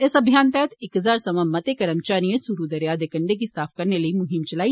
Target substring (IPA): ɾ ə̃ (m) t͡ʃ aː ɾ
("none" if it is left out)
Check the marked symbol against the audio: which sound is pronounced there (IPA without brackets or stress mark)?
m